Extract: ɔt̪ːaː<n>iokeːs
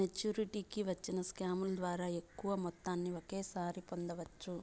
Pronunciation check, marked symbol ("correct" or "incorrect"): incorrect